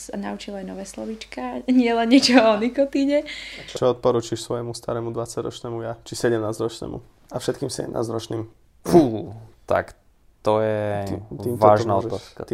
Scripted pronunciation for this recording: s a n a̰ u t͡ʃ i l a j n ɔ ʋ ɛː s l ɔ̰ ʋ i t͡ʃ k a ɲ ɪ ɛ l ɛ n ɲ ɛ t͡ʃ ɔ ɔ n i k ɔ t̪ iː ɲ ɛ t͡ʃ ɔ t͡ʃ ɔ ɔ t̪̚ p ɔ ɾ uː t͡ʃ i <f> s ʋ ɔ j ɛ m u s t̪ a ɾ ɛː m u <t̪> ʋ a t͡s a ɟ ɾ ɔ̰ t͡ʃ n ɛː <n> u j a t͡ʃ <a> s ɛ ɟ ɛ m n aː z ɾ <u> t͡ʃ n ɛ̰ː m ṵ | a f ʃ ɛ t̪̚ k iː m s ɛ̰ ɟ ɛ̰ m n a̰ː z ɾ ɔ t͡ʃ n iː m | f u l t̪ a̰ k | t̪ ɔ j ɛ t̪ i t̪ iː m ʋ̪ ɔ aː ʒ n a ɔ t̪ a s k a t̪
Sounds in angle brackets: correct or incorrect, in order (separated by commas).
incorrect, incorrect, incorrect, incorrect, incorrect